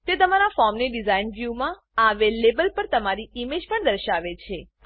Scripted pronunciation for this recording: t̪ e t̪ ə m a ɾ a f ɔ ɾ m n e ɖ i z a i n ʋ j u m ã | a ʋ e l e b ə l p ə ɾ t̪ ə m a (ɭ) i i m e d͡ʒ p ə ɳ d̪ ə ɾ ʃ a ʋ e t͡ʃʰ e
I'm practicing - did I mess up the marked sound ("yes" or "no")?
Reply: yes